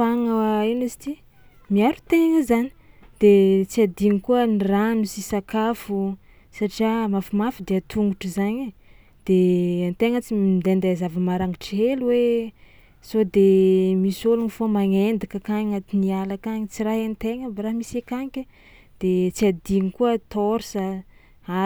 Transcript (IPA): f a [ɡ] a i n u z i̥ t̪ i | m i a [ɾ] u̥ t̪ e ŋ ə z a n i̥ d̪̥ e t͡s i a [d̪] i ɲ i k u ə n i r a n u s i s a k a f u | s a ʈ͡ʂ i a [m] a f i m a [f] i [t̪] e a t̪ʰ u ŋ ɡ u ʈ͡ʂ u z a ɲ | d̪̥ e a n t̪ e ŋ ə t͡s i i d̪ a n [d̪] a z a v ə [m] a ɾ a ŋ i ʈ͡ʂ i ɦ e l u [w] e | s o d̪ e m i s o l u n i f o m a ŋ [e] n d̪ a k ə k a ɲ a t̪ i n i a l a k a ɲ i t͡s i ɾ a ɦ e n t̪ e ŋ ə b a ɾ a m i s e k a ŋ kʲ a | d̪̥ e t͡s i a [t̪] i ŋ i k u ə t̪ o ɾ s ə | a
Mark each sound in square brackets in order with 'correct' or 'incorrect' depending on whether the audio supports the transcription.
incorrect, correct, correct, correct, correct, incorrect, correct, correct, correct, correct, incorrect

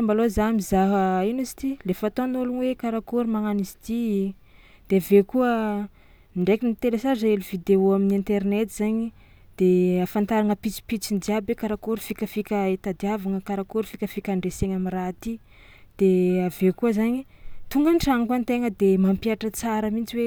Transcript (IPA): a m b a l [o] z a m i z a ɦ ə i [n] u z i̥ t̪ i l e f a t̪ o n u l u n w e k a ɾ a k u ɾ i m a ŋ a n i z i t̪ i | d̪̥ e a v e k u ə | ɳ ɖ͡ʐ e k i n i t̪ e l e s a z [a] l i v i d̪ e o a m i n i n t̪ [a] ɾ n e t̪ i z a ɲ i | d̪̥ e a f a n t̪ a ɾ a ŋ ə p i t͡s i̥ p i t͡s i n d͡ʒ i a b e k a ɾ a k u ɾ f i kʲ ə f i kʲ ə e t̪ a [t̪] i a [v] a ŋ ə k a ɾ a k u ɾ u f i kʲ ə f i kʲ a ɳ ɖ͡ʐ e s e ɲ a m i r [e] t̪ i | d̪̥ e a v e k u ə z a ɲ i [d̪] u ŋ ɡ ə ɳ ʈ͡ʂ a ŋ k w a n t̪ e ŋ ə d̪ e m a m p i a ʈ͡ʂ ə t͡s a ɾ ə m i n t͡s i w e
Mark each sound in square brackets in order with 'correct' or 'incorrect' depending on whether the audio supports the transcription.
correct, correct, incorrect, incorrect, incorrect, correct, incorrect, incorrect

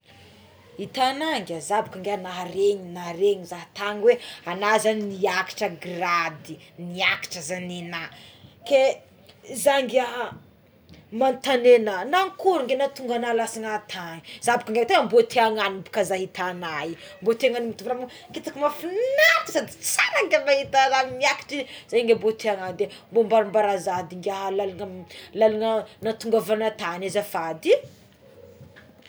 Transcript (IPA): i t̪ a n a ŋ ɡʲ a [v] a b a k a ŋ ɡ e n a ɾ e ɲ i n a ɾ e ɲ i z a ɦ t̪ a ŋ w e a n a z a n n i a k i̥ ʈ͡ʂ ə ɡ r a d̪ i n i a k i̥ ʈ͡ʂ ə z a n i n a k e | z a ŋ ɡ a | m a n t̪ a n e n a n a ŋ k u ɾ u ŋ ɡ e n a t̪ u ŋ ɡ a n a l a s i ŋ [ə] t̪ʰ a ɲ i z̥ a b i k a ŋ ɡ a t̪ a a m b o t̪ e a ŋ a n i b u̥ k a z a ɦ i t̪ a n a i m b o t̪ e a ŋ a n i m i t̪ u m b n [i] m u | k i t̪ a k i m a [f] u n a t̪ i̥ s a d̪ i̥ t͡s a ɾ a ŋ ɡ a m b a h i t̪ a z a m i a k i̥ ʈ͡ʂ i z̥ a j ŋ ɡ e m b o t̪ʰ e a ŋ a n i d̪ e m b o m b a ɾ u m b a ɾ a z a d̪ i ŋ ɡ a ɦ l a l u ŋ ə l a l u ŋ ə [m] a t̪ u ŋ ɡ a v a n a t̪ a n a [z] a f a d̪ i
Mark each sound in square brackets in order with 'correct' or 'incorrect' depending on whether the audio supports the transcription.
incorrect, incorrect, incorrect, correct, incorrect, correct

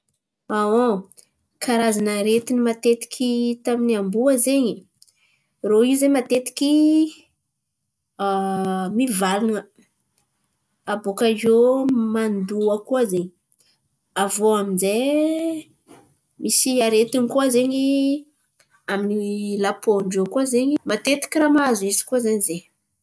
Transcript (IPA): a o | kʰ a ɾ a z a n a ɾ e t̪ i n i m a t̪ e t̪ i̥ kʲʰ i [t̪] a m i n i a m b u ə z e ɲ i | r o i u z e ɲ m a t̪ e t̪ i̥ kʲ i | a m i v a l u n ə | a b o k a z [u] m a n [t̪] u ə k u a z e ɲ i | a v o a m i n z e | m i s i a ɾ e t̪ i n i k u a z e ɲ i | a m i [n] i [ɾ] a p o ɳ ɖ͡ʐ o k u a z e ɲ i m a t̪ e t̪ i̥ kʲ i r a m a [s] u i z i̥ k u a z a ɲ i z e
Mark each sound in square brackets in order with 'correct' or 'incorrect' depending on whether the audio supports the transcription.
correct, incorrect, incorrect, correct, incorrect, incorrect

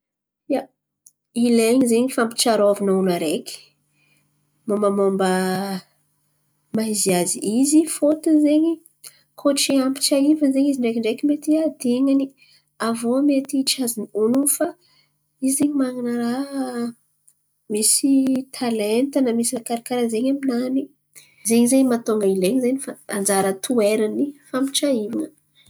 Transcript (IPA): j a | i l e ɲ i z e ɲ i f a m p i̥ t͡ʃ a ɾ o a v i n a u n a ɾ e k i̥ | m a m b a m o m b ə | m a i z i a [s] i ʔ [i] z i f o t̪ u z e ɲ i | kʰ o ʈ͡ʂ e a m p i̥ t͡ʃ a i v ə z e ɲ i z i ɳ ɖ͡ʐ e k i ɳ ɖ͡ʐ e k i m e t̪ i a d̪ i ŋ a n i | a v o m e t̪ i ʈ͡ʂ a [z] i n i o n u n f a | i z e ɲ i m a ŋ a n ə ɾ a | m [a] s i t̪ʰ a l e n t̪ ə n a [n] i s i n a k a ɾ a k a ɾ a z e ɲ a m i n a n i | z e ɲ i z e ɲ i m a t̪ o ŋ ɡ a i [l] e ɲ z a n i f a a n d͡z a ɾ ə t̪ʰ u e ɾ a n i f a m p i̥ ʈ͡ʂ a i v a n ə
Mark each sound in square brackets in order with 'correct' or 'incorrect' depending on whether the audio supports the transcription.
incorrect, correct, correct, incorrect, incorrect, correct

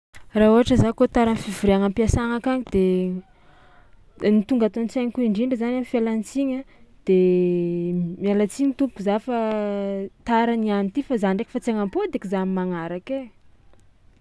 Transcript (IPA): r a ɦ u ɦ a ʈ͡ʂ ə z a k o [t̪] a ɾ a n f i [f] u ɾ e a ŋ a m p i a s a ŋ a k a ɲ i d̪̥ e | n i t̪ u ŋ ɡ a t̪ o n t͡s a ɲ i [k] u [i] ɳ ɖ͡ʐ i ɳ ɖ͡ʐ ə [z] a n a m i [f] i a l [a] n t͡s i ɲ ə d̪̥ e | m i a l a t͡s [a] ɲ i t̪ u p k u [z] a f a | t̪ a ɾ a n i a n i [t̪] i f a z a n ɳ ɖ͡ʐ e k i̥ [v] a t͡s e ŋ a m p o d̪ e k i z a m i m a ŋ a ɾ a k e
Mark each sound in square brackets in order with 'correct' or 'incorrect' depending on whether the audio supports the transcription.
correct, incorrect, correct, correct, correct, correct, correct, incorrect, correct, correct, incorrect

